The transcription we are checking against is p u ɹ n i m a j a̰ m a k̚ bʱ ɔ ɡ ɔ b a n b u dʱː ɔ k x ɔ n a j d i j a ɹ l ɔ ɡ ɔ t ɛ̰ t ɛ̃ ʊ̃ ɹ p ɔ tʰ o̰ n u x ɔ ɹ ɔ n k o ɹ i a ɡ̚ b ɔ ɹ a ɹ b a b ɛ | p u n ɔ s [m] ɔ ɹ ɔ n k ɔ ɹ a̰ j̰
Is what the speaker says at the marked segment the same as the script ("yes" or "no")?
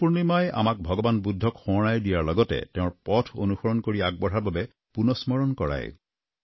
yes